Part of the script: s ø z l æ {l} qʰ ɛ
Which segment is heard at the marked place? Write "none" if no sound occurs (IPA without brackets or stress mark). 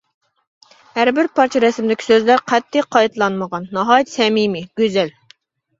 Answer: ɾ